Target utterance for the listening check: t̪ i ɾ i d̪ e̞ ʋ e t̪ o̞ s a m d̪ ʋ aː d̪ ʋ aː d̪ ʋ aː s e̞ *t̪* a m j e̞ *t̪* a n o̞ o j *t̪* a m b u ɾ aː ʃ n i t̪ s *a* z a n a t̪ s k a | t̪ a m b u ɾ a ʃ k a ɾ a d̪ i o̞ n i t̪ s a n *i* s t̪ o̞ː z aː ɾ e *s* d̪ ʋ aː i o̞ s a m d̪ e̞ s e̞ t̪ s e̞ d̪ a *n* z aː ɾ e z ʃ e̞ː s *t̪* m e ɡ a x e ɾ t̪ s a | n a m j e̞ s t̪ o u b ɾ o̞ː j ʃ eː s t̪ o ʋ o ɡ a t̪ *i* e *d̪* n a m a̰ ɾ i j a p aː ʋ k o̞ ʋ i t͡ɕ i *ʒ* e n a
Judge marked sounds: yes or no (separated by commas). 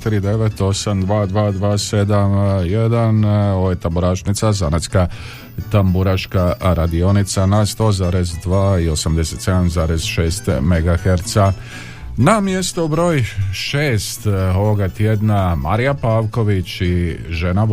no, no, yes, yes, no, no, no, yes, no, yes, yes